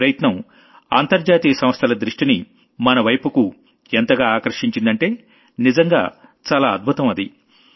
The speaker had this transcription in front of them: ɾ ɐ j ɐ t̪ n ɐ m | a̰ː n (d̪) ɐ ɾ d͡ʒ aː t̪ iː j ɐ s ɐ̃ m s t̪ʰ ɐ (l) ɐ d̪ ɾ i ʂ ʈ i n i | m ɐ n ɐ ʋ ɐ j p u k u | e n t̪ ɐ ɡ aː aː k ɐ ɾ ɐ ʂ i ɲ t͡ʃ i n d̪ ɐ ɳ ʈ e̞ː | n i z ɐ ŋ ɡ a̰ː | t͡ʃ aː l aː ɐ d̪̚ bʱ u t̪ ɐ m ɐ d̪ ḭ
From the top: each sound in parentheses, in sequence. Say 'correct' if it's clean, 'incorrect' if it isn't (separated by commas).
incorrect, correct